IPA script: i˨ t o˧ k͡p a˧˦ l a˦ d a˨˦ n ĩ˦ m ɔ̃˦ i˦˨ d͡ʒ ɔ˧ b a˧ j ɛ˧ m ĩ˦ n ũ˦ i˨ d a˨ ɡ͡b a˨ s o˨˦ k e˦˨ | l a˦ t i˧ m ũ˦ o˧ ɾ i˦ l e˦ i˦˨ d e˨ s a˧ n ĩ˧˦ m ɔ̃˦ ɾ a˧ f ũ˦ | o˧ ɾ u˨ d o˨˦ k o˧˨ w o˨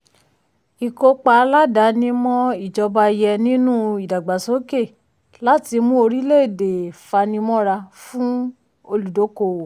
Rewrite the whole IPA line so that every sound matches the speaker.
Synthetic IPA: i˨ k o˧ k͡p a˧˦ l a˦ d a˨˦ n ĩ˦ m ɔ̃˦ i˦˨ d͡ʒ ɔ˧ b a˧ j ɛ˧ n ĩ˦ n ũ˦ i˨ d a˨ ɡ͡b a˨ s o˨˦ k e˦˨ | l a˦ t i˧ m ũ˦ o˧ ɾ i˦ l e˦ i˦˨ d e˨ f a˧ n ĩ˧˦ m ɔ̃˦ ɾ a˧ f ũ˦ | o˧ l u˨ d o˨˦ k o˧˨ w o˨